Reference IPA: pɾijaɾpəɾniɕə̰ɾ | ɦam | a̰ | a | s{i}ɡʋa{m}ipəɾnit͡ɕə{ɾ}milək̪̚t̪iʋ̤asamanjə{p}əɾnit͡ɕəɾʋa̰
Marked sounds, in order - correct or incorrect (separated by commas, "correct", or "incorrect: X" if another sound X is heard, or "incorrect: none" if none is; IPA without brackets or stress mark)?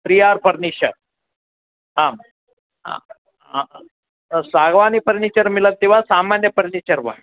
incorrect: a, incorrect: n, correct, correct